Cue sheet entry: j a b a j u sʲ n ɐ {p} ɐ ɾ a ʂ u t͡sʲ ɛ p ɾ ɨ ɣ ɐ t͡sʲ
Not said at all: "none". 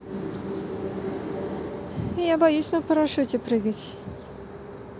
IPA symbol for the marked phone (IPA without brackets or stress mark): p